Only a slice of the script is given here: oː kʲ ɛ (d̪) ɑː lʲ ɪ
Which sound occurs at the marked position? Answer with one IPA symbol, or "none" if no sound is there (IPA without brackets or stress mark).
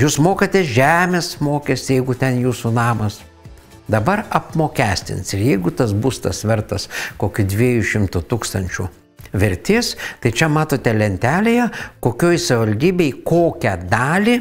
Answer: d̪